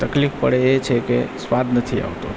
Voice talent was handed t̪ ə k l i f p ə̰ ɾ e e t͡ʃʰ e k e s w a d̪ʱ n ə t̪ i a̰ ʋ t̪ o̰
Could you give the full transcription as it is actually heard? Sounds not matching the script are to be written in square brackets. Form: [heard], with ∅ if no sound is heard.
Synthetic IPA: t̪ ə k l i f p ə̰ [ɽ] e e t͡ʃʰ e k e s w a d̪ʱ n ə [t̪ʰ] i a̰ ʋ t̪ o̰